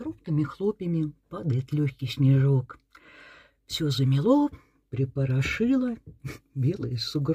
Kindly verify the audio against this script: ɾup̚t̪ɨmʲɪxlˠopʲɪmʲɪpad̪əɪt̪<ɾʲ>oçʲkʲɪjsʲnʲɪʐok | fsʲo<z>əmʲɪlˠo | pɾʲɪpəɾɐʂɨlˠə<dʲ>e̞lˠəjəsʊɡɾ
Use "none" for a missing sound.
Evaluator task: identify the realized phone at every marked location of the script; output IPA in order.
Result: lʲ, z, bʲ

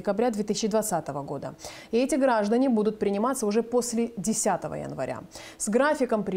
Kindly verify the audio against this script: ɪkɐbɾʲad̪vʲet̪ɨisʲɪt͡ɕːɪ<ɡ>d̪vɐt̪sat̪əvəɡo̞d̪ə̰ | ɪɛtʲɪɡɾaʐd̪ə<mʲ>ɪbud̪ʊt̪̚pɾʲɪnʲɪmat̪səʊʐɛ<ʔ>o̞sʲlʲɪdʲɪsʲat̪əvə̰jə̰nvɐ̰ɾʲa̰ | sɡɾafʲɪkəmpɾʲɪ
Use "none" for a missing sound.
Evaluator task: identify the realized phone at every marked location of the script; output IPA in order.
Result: none, nʲ, p

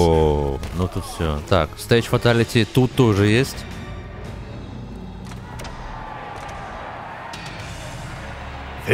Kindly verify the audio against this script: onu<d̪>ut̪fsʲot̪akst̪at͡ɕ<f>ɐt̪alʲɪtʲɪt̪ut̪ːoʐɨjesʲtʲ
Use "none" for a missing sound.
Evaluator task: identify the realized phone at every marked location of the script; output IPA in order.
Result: t̪, f

